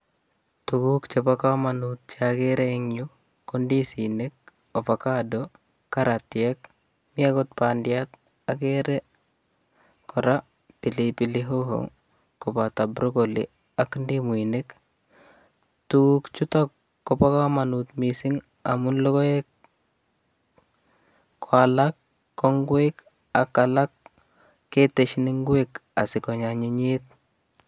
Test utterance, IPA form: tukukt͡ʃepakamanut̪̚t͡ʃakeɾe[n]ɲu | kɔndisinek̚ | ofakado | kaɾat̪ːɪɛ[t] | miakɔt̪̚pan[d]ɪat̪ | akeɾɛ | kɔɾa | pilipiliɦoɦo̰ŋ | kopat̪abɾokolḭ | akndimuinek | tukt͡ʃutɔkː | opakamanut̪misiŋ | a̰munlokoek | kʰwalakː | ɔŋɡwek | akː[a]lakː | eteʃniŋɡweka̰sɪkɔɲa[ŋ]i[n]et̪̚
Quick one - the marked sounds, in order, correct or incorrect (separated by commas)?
incorrect, incorrect, correct, correct, incorrect, incorrect